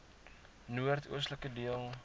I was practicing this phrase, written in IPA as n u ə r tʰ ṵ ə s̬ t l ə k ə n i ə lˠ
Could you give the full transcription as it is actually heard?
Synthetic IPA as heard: n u ə r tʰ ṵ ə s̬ t l ə k ə d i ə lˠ